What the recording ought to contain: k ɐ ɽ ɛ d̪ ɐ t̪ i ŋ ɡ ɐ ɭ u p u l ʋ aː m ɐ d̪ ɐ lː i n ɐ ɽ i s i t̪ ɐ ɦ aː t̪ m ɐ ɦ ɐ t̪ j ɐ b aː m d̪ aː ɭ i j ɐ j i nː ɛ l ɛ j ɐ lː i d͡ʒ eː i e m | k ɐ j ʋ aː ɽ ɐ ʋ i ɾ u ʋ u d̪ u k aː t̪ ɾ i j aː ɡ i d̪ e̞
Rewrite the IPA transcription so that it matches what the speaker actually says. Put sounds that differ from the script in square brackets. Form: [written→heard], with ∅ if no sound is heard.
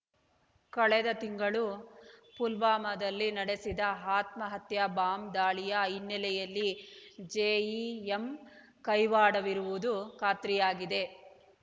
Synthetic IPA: k ɐ [ɽ→ɭ] ɛ d̪ ɐ t̪ i ŋ ɡ ɐ ɭ u p u l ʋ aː m ɐ d̪ ɐ lː i n ɐ ɽ [i→e] s i [t̪→d̪] ɐ ɦ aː t̪ m ɐ ɦ ɐ t̪ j ɐ b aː m d̪ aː ɭ i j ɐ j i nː ɛ l ɛ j ɐ lː i d͡ʒ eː i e m | k ɐ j ʋ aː ɽ ɐ ʋ i ɾ u ʋ u d̪ u k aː t̪ ɾ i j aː ɡ i d̪ e̞

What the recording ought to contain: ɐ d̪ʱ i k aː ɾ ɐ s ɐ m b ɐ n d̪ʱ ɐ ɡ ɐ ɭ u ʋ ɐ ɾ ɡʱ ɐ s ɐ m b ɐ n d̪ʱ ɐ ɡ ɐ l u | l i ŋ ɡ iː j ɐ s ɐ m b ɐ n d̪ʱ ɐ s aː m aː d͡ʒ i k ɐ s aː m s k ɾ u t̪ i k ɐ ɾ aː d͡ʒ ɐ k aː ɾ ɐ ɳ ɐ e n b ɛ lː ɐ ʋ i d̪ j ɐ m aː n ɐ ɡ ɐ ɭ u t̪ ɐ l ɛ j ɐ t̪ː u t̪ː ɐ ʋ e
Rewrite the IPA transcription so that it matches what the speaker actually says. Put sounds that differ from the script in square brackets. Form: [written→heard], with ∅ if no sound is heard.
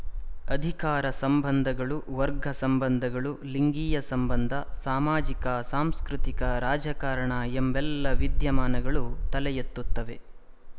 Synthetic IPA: ɐ d̪ʱ i k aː ɾ ɐ s ɐ m b ɐ n d̪ʱ ɐ ɡ ɐ ɭ u ʋ ɐ ɾ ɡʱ ɐ s ɐ m b ɐ n d̪ʱ ɐ ɡ ɐ [l→ɭ] u | l i ŋ ɡ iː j ɐ s ɐ m b ɐ n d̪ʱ ɐ s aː m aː d͡ʒ i k ɐ s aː m s k ɾ u t̪ i k ɐ ɾ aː d͡ʒ ɐ k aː ɾ ɐ ɳ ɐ e [n→m] b ɛ lː ɐ ʋ i d̪ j ɐ m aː n ɐ ɡ ɐ ɭ u t̪ ɐ l ɛ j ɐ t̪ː u t̪ː ɐ ʋ e

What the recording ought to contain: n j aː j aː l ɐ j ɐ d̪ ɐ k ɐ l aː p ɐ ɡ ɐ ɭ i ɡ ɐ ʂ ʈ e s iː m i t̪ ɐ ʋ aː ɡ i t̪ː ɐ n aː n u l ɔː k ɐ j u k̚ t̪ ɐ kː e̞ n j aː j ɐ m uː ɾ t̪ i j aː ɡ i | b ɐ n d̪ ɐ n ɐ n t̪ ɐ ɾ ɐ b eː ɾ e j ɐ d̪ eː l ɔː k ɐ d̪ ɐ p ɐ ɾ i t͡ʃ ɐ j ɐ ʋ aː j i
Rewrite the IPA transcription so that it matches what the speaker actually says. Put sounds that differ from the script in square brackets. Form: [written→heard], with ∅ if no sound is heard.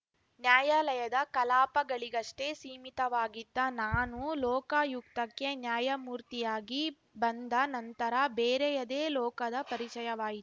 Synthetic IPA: n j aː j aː l ɐ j ɐ d̪ ɐ k ɐ l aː p ɐ ɡ ɐ ɭ i ɡ ɐ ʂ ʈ e s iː m i t̪ ɐ ʋ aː ɡ i [t̪ː→d̪ː] ɐ n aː n u l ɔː k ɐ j u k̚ t̪ ɐ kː e̞ n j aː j ɐ m uː ɾ t̪ i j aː ɡ i | b ɐ n d̪ ɐ n ɐ n t̪ ɐ ɾ ɐ b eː ɾ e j ɐ d̪ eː l ɔː k ɐ d̪ ɐ p ɐ ɾ i t͡ʃ ɐ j ɐ ʋ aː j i

